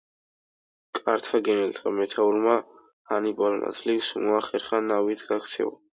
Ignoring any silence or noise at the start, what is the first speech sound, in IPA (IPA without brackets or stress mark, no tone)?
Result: kʼ